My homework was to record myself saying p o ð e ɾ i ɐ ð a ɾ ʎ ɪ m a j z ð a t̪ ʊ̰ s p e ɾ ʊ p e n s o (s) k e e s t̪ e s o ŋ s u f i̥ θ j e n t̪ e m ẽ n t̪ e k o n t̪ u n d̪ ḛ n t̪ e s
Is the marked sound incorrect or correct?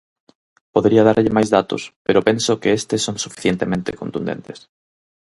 incorrect